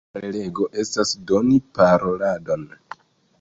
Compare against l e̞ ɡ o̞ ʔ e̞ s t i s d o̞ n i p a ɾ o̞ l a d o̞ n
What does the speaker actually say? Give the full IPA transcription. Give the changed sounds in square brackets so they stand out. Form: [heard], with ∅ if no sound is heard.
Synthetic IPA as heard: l e̞ ɡ o̞ ʔ e̞ s t [a] s d o̞ n i p a ɾ o̞ l a d o̞ n